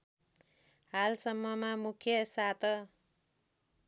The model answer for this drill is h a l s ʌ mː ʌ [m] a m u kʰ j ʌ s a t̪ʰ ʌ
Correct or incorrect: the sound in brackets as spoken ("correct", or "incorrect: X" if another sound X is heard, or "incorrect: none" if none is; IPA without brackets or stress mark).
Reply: correct